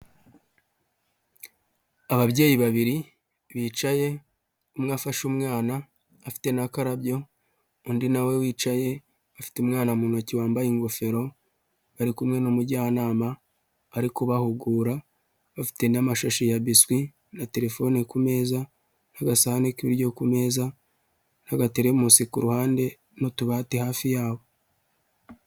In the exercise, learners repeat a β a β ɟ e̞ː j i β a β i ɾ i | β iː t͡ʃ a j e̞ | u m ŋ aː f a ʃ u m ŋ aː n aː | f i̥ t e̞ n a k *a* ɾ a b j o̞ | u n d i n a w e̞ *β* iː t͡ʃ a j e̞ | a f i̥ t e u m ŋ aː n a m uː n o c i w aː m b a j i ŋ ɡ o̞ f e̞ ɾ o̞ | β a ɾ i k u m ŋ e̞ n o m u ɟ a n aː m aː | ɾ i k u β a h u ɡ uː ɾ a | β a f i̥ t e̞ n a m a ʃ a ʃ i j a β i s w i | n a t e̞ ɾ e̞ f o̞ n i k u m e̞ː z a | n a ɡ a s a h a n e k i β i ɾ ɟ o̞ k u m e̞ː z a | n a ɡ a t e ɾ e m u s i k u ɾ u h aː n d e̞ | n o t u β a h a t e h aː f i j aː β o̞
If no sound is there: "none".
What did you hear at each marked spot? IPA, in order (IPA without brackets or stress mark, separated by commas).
a, w